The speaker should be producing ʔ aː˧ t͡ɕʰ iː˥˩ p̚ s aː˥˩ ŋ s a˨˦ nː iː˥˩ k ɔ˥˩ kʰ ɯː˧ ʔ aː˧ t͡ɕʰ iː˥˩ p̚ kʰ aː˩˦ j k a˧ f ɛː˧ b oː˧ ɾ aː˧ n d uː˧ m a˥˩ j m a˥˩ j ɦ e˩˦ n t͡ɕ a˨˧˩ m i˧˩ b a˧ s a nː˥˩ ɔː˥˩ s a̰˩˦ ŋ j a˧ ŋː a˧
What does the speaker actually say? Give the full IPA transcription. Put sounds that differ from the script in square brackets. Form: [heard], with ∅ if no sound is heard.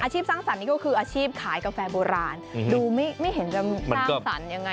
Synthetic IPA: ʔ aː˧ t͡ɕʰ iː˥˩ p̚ s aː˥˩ ŋ s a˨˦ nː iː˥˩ k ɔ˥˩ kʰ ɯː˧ ʔ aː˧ t͡ɕʰ iː˥˩ p̚ kʰ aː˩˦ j k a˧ f ɛː˧ b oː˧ ɾ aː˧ n d uː˧ m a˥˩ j m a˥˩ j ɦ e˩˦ n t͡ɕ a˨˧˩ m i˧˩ [m] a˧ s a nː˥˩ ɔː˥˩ s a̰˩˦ [n] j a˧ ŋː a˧

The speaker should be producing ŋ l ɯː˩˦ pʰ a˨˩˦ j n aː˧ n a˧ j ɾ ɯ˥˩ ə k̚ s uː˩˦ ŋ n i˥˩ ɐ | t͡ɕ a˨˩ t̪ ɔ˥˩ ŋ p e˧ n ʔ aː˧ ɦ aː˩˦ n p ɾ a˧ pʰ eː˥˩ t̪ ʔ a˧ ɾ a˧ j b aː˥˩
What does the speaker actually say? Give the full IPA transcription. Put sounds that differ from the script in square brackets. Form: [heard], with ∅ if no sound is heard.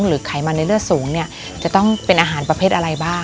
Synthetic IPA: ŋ [ɾ] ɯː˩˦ [kʰ] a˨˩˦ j [m] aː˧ n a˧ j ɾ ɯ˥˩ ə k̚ s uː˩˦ ŋ n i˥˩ ɐ | t͡ɕ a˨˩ t̪ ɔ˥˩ ŋ p e˧ n ʔ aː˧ ɦ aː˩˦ n p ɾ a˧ pʰ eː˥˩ t̪ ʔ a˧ ɾ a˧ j b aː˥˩

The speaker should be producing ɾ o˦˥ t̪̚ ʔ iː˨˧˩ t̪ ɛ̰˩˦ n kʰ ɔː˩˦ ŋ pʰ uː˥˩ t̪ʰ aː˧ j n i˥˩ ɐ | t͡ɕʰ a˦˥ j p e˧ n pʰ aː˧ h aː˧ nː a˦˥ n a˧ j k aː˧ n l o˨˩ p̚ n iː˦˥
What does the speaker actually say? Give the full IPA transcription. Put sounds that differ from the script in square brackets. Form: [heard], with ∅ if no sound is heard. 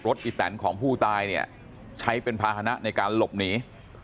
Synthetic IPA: ɾ o˦˥ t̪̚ ʔ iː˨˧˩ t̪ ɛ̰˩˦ n kʰ ɔː˩˦ ŋ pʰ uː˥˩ [t̪] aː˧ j n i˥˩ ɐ | t͡ɕʰ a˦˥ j p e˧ n pʰ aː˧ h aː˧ [n] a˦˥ n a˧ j k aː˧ n l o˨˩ p̚ n iː˦˥

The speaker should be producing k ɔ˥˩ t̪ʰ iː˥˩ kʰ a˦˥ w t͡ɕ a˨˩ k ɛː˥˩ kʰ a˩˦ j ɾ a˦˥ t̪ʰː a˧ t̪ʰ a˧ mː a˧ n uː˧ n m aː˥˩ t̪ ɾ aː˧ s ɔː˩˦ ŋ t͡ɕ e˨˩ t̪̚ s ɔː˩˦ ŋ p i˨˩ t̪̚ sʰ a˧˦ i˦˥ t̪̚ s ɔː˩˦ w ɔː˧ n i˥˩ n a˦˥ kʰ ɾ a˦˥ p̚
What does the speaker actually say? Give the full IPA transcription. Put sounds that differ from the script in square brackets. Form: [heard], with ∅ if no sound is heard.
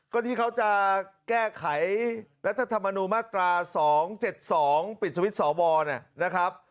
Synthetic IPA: k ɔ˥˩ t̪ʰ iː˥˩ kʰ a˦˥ w t͡ɕ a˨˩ k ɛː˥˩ kʰ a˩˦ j ɾ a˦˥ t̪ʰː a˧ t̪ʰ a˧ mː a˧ n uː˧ n m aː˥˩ t̪ ɾ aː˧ s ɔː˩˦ ŋ t͡ɕ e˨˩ t̪̚ s ɔː˩˦ ŋ p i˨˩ t̪̚ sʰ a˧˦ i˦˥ t̪̚ s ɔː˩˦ w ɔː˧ n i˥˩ n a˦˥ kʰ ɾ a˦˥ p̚

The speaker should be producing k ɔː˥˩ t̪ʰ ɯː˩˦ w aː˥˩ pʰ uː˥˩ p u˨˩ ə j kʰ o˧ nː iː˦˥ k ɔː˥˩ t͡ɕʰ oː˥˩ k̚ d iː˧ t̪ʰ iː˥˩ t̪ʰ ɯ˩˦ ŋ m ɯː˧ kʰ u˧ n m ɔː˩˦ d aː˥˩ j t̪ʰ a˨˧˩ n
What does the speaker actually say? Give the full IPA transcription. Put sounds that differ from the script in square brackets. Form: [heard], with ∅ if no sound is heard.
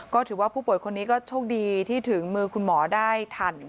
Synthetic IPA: k ɔː˥˩ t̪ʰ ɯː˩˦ w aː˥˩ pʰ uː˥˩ p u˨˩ ə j kʰ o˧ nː iː˦˥ k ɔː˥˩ t͡ɕʰ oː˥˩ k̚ d iː˧ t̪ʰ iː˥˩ t̪ʰ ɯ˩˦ ŋ m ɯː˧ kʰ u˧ n m ɔː˩˦ d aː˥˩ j t̪ʰ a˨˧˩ n

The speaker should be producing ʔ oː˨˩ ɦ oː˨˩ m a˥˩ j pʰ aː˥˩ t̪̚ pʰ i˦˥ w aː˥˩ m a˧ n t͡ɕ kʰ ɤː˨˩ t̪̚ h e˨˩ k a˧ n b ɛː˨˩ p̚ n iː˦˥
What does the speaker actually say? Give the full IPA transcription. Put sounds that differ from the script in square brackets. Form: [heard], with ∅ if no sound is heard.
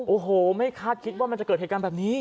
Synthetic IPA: ʔ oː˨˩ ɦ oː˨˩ m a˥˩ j [kʰ] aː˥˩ t̪̚ [kʰ] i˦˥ w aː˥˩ m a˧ n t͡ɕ [k] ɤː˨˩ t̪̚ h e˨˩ k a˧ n b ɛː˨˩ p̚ n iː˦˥

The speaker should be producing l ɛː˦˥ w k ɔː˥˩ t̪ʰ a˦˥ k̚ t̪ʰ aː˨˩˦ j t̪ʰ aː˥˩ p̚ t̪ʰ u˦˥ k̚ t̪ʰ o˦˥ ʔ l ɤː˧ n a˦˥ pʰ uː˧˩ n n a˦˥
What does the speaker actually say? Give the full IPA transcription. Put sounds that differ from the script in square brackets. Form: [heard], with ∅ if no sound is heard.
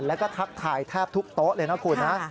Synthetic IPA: l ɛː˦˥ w k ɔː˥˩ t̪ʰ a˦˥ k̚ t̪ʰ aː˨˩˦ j t̪ʰ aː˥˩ p̚ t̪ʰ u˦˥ k̚ [t̪] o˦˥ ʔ l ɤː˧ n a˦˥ [kʰ] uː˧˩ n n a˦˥

